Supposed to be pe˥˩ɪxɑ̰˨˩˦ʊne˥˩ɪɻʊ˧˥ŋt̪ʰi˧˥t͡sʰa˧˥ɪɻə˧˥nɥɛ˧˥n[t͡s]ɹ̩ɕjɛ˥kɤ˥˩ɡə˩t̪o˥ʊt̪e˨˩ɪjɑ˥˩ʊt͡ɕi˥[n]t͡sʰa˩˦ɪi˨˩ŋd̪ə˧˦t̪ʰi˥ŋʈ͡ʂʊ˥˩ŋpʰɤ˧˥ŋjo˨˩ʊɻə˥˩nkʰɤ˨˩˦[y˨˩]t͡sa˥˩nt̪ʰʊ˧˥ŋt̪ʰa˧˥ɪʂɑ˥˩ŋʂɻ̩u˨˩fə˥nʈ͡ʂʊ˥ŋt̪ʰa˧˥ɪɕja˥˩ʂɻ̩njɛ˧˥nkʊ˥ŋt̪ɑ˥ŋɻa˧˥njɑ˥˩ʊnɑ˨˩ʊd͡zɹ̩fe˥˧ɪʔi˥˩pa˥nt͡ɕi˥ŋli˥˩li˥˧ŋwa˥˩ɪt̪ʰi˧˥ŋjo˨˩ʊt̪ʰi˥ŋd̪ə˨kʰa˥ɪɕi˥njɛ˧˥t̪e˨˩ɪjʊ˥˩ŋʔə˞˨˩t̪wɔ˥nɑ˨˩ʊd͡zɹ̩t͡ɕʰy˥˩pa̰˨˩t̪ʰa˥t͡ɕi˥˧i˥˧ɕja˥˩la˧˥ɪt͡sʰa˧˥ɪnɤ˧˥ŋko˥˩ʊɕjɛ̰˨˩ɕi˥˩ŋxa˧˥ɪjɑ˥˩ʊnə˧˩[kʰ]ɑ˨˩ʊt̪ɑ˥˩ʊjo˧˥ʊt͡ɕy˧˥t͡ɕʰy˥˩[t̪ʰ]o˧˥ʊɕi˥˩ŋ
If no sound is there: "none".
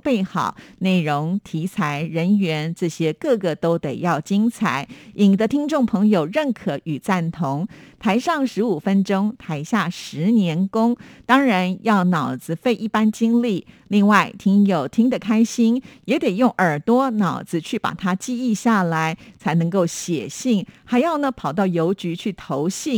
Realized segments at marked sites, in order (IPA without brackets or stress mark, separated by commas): t͡s, ŋ, y˨˩, pʰ, t̪ʰ